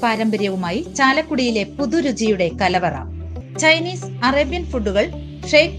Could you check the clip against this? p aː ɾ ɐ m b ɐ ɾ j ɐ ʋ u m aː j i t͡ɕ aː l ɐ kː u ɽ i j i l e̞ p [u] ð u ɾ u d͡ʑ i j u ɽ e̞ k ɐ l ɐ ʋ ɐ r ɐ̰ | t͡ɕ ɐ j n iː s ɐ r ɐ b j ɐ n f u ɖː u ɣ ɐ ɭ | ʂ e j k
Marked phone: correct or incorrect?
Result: correct